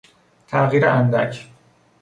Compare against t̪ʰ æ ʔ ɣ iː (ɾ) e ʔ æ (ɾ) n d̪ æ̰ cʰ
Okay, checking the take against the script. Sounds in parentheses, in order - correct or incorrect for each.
correct, incorrect: none

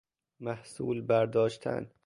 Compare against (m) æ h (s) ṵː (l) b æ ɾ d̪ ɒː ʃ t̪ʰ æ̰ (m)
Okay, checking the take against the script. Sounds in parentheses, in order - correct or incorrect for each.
correct, correct, correct, incorrect: n

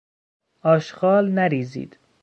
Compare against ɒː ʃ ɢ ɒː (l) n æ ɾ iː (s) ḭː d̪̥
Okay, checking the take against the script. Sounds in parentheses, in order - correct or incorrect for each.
correct, incorrect: z

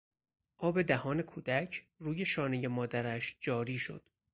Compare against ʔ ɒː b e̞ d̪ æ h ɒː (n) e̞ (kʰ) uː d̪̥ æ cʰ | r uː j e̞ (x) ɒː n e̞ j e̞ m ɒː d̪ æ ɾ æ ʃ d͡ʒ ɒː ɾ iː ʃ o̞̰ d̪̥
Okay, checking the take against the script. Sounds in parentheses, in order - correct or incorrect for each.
correct, correct, incorrect: ʃ

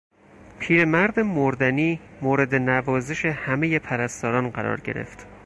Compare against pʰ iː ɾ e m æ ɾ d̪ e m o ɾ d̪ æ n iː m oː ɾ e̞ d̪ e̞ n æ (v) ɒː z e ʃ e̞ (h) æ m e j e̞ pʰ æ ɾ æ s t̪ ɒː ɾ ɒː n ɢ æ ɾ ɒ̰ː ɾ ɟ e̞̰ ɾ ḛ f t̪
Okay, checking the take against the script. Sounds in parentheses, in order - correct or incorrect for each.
correct, correct

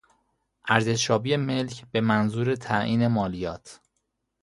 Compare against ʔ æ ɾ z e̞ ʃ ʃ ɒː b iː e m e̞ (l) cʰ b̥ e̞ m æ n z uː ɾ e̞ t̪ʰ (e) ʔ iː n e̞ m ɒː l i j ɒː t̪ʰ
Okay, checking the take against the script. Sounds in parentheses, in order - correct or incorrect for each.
correct, incorrect: æ

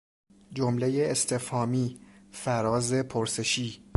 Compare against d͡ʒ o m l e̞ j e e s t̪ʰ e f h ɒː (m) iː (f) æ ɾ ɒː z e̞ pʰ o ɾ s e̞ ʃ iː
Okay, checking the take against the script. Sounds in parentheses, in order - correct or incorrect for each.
correct, correct

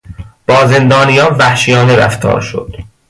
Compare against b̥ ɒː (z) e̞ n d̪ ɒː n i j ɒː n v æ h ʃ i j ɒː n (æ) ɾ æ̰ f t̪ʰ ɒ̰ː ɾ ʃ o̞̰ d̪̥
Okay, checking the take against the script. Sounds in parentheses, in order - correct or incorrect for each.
correct, incorrect: e

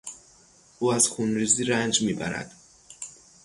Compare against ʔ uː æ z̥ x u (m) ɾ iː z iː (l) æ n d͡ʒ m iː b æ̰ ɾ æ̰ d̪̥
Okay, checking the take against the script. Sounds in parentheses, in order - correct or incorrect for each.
incorrect: n, incorrect: ɾ

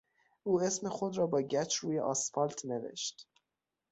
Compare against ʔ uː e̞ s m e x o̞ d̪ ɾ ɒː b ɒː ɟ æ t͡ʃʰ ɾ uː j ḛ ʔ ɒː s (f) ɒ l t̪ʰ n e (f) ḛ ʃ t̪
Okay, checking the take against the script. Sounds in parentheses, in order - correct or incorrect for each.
correct, incorrect: v

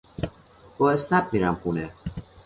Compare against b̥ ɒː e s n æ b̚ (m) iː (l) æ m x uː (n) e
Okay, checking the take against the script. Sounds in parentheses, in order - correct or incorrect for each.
correct, incorrect: ɾ, correct

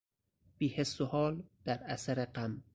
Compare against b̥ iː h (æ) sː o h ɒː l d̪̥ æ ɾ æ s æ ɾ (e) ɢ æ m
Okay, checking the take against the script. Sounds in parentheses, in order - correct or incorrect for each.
incorrect: e, correct

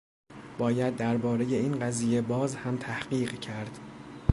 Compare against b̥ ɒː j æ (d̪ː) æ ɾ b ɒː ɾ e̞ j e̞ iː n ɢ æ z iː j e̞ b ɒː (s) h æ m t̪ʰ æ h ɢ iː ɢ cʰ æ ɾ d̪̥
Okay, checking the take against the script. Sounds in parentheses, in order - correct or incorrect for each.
correct, incorrect: z

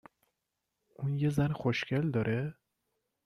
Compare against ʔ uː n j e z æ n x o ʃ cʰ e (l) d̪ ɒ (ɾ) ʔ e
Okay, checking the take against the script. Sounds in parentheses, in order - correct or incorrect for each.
correct, correct

